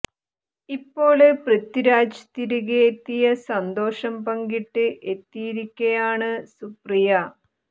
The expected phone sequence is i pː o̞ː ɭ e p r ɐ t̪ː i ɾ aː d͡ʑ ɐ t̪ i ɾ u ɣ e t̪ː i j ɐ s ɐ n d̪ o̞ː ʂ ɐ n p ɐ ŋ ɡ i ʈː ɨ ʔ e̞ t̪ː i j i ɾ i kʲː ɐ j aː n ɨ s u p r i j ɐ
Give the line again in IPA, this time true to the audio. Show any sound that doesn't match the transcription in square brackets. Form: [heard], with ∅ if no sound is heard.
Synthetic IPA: i pː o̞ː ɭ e p r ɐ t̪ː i ɾ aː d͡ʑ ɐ t̪ i ɾ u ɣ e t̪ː i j ɐ s ɐ n d̪ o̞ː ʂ ɐ [m] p ɐ ŋ ɡ i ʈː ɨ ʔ e̞ t̪ː i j i ɾ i kʲː ɐ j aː [ɳ] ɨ s u p r i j ɐ

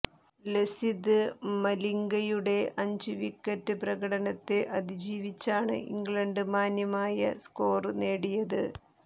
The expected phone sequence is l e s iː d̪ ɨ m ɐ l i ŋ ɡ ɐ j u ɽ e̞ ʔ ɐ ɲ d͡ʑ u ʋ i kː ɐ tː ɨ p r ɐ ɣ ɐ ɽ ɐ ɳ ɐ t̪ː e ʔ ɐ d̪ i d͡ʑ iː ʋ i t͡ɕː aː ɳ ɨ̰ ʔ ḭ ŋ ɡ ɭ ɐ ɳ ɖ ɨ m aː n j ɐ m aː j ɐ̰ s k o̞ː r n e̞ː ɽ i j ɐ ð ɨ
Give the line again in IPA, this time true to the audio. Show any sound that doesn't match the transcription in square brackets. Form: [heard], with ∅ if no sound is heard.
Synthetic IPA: l e s [i] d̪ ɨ m ɐ l i ŋ ɡ ɐ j u ɽ e̞ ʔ ɐ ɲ d͡ʑ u ʋ i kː ɐ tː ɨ p r ɐ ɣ ɐ ɽ ɐ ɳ ɐ t̪ː e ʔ ɐ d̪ i d͡ʑ iː ʋ i t͡ɕː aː ɳ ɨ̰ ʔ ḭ ŋ ɡ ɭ ɐ ɳ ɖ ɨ m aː n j ɐ m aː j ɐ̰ s k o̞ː r n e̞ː ɽ i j ɐ ð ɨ

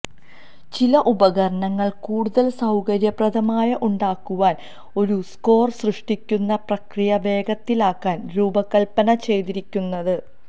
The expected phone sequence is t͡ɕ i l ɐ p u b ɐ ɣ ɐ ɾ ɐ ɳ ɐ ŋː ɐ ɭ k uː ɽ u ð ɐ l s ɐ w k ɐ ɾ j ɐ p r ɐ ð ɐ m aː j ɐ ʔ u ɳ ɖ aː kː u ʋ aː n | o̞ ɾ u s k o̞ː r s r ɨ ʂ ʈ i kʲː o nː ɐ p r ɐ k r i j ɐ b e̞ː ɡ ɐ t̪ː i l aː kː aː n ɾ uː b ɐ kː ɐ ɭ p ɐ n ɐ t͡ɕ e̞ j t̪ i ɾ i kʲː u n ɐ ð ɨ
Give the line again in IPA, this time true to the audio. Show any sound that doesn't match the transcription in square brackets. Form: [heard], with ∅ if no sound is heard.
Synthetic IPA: t͡ɕ i l ɐ [ʔ] u b ɐ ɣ ɐ ɾ ɐ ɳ ɐ ŋː ɐ ɭ k uː ɽ u ð ɐ l s ɐ w k ɐ ɾ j ɐ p r ɐ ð ɐ m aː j ɐ ʔ u ɳ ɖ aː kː u ʋ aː n | o̞ ɾ u s k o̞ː r s r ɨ ʂ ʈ i kʲː [u] nː ɐ p r ɐ k r i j ɐ b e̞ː ɡ ɐ t̪ː i l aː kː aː n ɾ uː b ɐ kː ɐ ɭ p ɐ n ɐ t͡ɕ e̞ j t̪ i ɾ i kʲː u [nː] ɐ ð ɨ

